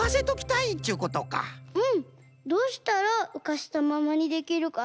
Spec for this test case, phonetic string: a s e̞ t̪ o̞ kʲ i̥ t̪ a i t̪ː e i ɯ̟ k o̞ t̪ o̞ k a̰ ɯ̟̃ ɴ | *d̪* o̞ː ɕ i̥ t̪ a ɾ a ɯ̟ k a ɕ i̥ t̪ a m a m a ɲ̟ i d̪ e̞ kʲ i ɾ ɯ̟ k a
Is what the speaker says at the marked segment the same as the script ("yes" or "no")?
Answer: yes